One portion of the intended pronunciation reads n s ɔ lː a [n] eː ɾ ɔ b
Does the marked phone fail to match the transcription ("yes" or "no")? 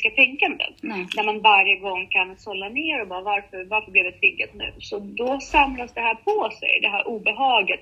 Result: no